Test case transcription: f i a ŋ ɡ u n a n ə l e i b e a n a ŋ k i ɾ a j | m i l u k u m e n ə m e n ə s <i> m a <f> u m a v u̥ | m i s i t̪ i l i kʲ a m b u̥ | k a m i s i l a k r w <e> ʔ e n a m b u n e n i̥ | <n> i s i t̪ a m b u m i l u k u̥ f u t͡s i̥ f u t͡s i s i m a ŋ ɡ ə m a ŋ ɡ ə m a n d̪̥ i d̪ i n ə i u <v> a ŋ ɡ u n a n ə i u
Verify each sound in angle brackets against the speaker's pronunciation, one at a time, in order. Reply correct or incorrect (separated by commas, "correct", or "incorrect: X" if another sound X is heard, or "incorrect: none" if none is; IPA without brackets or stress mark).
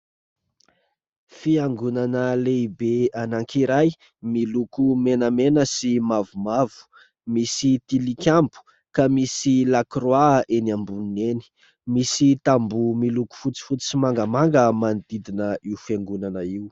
correct, incorrect: v, incorrect: a, incorrect: m, incorrect: f